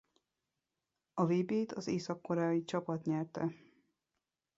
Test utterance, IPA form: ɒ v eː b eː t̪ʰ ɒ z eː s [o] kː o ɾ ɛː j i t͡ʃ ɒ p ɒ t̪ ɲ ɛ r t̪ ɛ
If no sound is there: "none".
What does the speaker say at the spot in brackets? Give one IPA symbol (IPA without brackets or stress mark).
ɒ